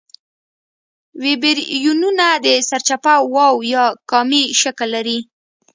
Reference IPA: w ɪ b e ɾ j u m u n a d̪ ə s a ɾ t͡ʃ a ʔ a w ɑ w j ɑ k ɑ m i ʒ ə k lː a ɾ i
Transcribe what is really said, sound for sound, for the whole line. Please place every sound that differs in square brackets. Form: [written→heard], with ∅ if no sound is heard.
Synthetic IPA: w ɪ b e ɾ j u [m→n] u n a d̪ ə s a ɾ t͡ʃ a [ʔ→p] a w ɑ w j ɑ k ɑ m i [ʒ→ʃ] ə k lː a ɾ i